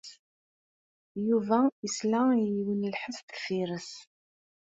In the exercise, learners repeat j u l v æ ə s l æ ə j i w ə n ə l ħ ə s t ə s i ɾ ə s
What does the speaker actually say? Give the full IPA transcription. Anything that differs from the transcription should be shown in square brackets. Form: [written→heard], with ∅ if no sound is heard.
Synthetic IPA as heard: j u [l→∅] v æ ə s l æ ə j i w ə n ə l ħ ə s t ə [s→f] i ɾ ə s